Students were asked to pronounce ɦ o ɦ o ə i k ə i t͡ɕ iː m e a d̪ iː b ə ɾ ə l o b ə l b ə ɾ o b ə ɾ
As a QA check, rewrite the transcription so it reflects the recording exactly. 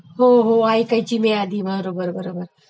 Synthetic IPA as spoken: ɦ o ɦ o a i k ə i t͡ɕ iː m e a d̪ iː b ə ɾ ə ɾ o b ə ɾ b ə ɾ o b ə ɾ